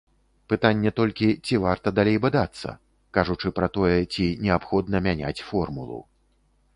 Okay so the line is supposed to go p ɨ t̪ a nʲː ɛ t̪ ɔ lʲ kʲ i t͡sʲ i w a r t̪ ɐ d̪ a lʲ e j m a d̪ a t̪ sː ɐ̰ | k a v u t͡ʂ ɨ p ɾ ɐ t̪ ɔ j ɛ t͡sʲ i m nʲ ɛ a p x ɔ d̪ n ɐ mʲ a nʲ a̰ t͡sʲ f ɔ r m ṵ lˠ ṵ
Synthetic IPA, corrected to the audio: p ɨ t̪ a nʲː ɛ t̪ ɔ lʲ kʲ i t͡sʲ i v a r t̪ ɐ d̪ a lʲ e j b a d̪ a t̪ sː ɐ̰ | k a ʐ u t͡ʂ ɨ p ɾ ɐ t̪ ɔ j ɛ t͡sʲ i nʲ ɛ a p x ɔ d̪ n ɐ mʲ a nʲ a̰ t͡sʲ f ɔ r m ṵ lˠ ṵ